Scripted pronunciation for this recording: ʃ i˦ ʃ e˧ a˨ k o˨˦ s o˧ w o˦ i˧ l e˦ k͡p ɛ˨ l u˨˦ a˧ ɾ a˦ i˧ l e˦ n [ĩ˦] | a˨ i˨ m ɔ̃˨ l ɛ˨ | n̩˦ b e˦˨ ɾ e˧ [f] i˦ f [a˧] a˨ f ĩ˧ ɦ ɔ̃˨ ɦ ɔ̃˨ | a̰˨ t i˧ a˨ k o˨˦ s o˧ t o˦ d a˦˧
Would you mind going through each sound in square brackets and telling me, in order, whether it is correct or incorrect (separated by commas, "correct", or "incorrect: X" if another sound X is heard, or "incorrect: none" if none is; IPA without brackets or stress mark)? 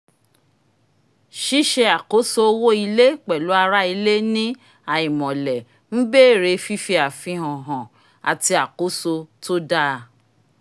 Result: correct, correct, incorrect: i˧